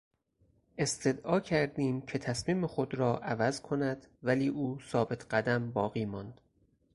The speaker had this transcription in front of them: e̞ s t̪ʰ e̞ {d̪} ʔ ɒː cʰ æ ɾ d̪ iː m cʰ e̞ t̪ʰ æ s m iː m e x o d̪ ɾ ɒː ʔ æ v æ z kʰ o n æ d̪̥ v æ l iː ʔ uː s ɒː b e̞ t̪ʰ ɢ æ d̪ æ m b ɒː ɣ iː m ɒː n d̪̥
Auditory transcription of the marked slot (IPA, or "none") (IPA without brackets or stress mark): d̪